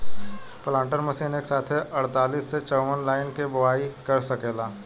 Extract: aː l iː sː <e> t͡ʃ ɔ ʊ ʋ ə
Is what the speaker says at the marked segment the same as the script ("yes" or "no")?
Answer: yes